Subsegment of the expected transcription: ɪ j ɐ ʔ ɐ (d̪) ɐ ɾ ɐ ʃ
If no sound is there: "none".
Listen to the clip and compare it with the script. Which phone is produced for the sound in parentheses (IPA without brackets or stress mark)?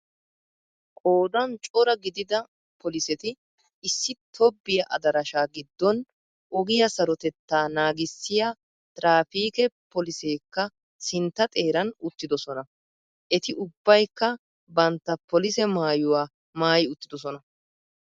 d̪